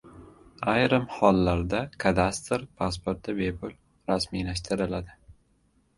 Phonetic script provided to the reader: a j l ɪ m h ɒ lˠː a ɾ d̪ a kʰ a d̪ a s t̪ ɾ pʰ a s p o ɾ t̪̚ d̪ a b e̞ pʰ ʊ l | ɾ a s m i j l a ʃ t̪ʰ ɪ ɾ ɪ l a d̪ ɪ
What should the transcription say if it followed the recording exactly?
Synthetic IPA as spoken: a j ɾ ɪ m h ɒ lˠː a ɾ d̪ a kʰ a d̪ a s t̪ ɾ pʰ a s p o ɾ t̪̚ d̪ a b e̞ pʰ ʊ l | ɾ a s m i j l a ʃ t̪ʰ ɪ ɾ ɪ l a d̪ ɪ